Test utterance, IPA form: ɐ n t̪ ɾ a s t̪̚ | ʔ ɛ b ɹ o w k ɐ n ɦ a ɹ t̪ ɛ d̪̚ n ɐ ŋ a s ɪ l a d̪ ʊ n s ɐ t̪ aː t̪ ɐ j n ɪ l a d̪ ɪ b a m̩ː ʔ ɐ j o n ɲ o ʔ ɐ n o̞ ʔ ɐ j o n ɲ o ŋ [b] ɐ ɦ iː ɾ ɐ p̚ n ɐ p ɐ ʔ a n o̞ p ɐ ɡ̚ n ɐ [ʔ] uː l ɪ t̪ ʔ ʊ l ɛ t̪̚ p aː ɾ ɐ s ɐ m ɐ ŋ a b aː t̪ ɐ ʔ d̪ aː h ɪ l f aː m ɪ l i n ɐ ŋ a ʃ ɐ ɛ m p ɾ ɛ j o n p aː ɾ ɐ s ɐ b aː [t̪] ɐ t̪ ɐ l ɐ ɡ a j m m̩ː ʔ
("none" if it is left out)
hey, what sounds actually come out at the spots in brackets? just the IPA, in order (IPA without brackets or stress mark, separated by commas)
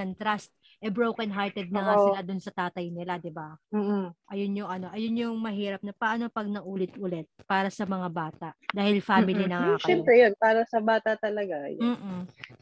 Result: m, ʔ, t̪